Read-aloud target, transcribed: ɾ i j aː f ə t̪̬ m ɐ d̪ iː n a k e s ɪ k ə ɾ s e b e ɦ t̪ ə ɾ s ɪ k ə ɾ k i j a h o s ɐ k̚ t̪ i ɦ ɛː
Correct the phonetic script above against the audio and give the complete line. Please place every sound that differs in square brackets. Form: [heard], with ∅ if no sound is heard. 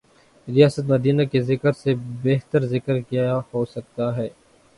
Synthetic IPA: ɾ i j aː [s] ə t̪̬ m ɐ d̪ iː n a k e [z] ɪ k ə ɾ s e b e ɦ t̪ ə ɾ [z] ɪ k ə ɾ k i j a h o s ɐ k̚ t̪ [a] ɦ ɛː